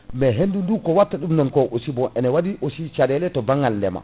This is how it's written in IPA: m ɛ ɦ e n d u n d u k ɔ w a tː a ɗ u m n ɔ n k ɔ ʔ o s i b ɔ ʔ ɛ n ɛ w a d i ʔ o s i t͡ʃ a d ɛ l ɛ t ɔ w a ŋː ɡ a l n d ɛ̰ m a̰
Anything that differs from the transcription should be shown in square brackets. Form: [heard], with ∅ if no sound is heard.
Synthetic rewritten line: m ɛ ɦ e n d u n d u k ɔ w a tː a ɗ u m n ɔ n k ɔ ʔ o s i b ɔ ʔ ɛ n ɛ w a d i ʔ o s i t͡ʃ a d ɛ l ɛ t ɔ [b] a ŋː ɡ a l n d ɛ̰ m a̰

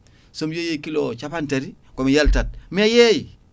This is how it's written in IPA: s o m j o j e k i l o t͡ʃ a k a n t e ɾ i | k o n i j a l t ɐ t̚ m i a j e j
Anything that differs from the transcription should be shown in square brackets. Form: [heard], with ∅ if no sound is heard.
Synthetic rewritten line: s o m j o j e k i l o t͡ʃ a [p] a n t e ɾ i | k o [m] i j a l t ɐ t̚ m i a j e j

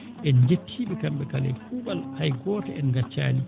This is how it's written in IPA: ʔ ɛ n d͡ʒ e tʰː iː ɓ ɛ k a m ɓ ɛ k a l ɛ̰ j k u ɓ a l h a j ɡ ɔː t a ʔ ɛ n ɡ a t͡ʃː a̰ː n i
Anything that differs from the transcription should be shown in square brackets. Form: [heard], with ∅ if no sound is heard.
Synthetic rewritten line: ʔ ɛ n d͡ʒ e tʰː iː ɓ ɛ k a m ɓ ɛ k a l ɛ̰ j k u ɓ a l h a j ɡ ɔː t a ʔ ɛ n ɡ a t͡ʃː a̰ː n i

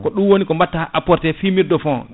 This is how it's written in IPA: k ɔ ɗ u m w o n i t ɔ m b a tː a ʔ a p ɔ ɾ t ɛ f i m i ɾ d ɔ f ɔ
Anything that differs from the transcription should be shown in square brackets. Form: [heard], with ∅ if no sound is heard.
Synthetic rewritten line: k ɔ ɗ u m w o n i [k] ɔ m b a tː a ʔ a p ɔ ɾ t ɛ f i m i ɾ d ɔ f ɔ

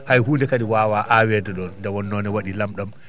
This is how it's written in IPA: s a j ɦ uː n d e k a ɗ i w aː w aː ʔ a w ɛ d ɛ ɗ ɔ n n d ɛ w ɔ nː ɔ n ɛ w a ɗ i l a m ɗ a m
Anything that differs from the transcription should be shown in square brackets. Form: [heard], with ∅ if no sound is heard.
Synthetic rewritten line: [h] a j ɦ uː n d [ɛ] k a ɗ i w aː w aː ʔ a w ɛ d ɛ ɗ ɔ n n d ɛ w ɔ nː ɔ n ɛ w a ɗ i l a m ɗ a m

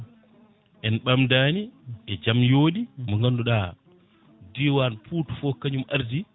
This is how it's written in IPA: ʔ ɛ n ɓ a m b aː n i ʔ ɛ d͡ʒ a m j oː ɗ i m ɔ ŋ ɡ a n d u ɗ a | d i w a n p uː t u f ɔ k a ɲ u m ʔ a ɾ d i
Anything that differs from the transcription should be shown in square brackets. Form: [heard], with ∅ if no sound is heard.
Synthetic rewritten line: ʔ ɛ n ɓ a m [d] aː n i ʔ ɛ d͡ʒ a m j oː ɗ i m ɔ ŋ ɡ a n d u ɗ a | d i w a n p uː t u f ɔ k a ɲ u m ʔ a ɾ d i

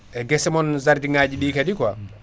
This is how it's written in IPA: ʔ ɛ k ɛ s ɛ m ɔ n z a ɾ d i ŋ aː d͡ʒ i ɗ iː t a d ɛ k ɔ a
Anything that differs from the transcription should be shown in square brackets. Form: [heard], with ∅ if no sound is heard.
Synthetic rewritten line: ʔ ɛ [ɡ] ɛ s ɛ m ɔ n z a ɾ d i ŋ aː d͡ʒ i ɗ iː [k] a d [i] k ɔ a

